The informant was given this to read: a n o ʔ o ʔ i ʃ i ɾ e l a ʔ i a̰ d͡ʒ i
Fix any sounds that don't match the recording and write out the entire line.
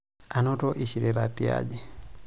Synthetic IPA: a n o t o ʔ i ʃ i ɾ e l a t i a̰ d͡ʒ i